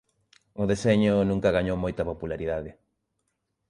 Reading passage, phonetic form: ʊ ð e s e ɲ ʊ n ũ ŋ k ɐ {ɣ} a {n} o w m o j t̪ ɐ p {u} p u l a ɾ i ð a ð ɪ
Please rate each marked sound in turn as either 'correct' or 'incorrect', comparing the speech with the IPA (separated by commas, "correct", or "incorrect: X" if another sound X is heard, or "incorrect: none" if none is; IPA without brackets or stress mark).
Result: correct, incorrect: ɲ, incorrect: o